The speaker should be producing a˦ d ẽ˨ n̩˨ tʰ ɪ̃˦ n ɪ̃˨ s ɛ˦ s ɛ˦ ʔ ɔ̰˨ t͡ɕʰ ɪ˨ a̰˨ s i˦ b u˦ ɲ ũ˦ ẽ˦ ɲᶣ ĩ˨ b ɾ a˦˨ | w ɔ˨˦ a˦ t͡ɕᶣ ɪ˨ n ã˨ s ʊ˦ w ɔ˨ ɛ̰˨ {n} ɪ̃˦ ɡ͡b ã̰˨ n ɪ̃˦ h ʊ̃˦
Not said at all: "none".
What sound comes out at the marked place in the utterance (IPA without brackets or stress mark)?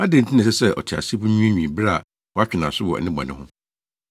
n